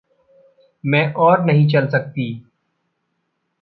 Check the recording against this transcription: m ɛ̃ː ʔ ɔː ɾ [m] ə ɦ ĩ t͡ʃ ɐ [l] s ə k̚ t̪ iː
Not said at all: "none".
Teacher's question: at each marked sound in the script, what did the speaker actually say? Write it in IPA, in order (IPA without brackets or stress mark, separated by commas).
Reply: n, l